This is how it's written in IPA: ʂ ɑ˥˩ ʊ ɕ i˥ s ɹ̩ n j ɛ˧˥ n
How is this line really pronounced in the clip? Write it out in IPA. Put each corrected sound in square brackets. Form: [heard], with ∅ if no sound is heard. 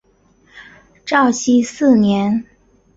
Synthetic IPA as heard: [ʈ͡ʂ] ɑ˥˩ ʊ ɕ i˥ s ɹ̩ n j ɛ˧˥ n

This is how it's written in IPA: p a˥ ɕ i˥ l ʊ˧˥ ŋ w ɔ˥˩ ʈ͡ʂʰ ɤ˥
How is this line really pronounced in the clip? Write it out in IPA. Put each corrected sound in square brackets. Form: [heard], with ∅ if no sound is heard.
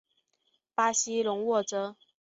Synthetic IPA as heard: p a˥ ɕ i˥ l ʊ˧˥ ŋ w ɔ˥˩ [ʈ͡ʂ] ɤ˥

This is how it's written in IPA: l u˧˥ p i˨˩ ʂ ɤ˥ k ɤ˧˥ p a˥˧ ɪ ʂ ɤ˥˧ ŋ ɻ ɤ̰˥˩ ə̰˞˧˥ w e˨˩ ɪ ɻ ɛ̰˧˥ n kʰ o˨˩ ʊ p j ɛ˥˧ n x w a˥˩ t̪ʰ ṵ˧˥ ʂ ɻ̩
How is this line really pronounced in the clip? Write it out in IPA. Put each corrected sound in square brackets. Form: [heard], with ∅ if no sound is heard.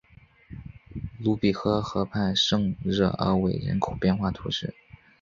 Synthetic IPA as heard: l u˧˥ p i˨˩ [x] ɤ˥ [x] ɤ˧˥ [pʰ] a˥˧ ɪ ʂ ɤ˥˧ ŋ ɻ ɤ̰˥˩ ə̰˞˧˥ w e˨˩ ɪ ɻ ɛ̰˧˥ n kʰ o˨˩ ʊ p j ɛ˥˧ n x w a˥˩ t̪ʰ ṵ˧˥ ʂ ɻ̩

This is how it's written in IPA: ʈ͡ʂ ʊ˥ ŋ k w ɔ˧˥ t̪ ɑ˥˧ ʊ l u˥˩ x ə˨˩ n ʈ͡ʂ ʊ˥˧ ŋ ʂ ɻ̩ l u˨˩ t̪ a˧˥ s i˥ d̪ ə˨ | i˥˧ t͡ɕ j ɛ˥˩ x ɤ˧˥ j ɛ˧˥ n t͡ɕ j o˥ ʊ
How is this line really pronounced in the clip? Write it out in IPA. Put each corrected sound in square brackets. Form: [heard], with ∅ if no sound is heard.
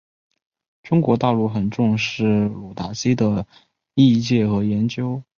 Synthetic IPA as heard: ʈ͡ʂ ʊ˥ ŋ k w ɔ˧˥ t̪ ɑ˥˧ ʊ l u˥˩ x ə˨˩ n ʈ͡ʂ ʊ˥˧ ŋ ʂ ɻ̩ l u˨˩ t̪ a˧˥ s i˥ d̪ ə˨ | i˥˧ t͡ɕ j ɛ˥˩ x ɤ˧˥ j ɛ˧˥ n t͡ɕ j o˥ ʊ

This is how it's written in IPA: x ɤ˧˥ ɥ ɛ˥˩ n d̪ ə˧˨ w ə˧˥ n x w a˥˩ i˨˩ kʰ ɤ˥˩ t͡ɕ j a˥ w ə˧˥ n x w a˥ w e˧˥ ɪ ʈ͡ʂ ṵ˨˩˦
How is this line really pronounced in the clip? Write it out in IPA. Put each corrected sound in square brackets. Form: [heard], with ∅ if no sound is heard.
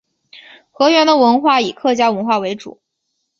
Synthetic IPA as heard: x ɤ˧˥ ɥ [ɛ˧˥] n d̪ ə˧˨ w ə˧˥ n x w a˥˩ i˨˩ kʰ ɤ˥˩ t͡ɕ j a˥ w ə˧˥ n x w [a˥˩] w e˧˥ ɪ ʈ͡ʂ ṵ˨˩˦

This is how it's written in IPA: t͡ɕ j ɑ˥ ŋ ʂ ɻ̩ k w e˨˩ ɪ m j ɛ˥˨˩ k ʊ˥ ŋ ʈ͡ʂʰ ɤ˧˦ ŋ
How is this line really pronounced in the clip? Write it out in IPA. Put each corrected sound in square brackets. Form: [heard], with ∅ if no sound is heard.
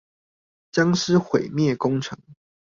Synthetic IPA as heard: t͡ɕ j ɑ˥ ŋ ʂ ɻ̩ [x] w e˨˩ ɪ m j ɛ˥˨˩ k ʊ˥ ŋ ʈ͡ʂʰ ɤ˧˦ ŋ

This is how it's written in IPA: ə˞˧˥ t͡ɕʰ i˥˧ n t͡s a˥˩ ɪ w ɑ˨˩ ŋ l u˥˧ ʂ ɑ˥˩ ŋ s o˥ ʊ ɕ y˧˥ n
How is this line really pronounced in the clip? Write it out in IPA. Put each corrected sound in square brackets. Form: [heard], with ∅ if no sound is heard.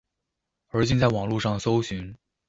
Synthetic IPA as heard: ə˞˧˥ [t͡ɕ] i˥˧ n t͡s a˥˩ ɪ w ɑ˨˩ ŋ l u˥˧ ʂ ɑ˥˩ ŋ s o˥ ʊ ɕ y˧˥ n

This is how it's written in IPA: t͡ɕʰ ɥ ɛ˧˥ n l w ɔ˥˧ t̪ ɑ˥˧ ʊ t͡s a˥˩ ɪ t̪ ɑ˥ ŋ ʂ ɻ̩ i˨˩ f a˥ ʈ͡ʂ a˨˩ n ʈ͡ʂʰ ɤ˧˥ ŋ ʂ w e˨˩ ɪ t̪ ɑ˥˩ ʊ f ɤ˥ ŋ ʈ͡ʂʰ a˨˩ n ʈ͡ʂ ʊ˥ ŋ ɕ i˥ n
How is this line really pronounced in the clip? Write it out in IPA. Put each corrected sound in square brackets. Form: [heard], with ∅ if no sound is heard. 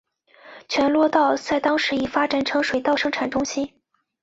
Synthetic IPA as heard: t͡ɕʰ ɥ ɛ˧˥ n l w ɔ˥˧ t̪ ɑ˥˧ ʊ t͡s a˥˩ ɪ t̪ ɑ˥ ŋ ʂ ɻ̩ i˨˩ f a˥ ʈ͡ʂ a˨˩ n ʈ͡ʂʰ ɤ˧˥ ŋ ʂ w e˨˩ ɪ t̪ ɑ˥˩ ʊ [ʂ] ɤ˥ ŋ ʈ͡ʂʰ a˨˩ n ʈ͡ʂ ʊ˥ ŋ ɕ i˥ n

